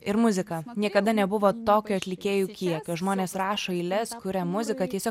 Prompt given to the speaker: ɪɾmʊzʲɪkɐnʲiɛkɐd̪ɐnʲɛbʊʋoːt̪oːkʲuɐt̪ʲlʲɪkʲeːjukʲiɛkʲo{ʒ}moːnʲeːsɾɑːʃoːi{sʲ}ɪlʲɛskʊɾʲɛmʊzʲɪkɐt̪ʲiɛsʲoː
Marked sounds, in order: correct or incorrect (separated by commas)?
correct, incorrect